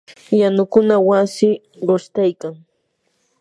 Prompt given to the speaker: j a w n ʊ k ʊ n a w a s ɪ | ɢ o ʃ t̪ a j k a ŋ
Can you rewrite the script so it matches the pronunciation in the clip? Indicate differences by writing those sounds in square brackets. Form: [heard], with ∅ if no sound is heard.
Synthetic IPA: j a [∅] n ʊ k ʊ n a w a s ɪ | ɢ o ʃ t̪ a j k a ŋ